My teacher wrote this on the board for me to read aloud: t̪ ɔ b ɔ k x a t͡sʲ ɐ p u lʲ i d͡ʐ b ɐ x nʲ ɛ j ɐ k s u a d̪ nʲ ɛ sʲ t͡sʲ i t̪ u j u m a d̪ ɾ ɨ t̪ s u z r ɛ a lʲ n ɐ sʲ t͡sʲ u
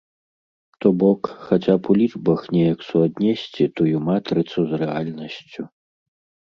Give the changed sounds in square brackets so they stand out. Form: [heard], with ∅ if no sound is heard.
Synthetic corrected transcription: t̪ ɔ b ɔ k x a t͡sʲ [a] p u lʲ i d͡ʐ b ɐ x nʲ ɛ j ɐ k s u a d̪ nʲ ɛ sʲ t͡sʲ i t̪ u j u m a [t̪] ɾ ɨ t̪ s u z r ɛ a lʲ n ɐ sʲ t͡sʲ u